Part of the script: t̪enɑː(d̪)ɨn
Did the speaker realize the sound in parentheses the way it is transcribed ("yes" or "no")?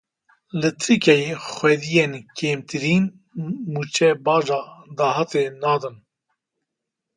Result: yes